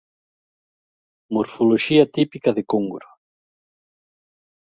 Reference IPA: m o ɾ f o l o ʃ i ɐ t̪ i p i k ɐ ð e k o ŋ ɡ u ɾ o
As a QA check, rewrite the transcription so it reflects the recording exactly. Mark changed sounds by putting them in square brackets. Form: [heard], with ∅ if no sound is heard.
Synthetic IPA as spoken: m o ɾ f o l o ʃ i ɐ t̪ i p i k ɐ ð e k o ŋ ɡ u ɾ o

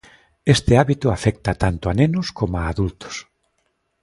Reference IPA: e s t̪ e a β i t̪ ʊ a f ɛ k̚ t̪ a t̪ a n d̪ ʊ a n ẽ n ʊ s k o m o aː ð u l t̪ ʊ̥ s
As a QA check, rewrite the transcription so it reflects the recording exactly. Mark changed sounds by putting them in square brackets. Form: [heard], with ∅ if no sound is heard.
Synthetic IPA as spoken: e s t̪ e a β i t̪ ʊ a f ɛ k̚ t̪ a t̪ a n [t̪] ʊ a n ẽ n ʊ s k o m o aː ð u l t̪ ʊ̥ s

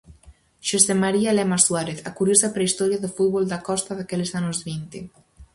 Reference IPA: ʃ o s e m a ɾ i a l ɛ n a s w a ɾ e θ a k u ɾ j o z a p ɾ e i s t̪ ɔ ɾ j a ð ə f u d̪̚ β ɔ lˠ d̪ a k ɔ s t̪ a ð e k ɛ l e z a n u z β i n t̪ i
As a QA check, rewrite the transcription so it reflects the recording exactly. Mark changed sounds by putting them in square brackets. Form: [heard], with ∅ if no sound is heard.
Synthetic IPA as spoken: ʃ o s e m a ɾ i a l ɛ [m] a s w a ɾ e θ a k u ɾ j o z a p ɾ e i s t̪ ɔ ɾ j a ð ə f u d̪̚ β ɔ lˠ d̪ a k ɔ s t̪ a ð [a] k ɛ l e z a n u z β i n t̪ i

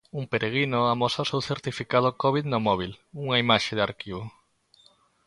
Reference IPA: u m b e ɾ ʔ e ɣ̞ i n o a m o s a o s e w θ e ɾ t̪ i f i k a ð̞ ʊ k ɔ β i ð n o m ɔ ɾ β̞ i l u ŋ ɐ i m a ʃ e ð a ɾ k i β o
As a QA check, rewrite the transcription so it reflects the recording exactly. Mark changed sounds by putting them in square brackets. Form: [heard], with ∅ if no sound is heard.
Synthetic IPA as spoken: u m [p] e ɾ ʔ e ɣ̞ i n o a m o s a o s e w θ e ɾ t̪ i f i k a ð̞ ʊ k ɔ β i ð n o m ɔ [∅] β̞ i l u ŋ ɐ i m a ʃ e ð a ɾ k i β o

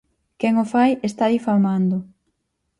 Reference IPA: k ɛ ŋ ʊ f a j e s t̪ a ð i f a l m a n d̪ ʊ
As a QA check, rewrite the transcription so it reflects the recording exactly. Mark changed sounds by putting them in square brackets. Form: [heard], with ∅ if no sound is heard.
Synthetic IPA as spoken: k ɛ ŋ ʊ f a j e s t̪ a ð i f a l m a n d̪ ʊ

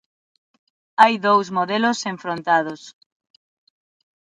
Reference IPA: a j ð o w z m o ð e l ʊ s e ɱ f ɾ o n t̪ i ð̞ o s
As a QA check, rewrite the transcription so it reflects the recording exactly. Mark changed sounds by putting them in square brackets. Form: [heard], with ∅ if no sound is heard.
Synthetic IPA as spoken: a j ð o w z m o ð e l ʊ s e ɱ f ɾ o n t̪ [a] ð̞ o s

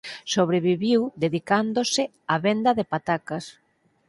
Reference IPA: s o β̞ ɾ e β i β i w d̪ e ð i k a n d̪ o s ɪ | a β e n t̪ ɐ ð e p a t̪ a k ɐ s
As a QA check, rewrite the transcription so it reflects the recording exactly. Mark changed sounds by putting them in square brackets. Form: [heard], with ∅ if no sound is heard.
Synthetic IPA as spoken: s o β̞ ɾ e β i β i w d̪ e ð i k a n d̪ o s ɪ | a β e n [d̪] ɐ ð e p a t̪ a k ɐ s

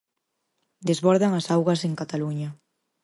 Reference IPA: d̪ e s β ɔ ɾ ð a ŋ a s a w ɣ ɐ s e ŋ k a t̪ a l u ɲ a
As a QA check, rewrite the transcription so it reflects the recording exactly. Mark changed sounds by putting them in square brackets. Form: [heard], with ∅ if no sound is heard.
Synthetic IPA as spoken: d̪ e [z] β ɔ ɾ ð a ŋ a s a w ɣ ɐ s e ŋ k a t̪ a l u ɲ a

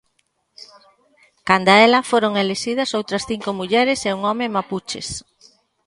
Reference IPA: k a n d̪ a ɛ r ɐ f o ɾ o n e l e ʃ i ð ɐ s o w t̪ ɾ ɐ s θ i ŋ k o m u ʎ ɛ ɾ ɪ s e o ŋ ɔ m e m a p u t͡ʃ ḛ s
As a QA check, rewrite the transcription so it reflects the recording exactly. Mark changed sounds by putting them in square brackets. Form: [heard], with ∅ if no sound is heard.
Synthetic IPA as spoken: k a n d̪ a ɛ [l] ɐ f o ɾ o [ŋ] e l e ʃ i ð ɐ s o w t̪ ɾ ɐ s θ i ŋ k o m u ʎ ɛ ɾ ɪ s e [u] ŋ ɔ m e m a p u t͡ʃ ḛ s

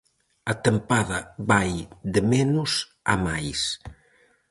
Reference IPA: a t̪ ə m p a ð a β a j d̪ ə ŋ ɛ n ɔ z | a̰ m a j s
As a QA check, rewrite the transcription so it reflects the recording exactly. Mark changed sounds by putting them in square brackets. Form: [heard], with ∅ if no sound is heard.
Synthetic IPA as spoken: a t̪ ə m p a ð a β a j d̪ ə [m] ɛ n [u] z | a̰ m a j s

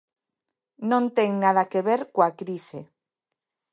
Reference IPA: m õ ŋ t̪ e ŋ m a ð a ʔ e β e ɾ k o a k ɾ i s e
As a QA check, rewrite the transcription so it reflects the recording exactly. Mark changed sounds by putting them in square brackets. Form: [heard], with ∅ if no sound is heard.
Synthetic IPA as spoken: [n] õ [n] t̪ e ŋ [n] a ð a [k] e β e ɾ k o a k ɾ i s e

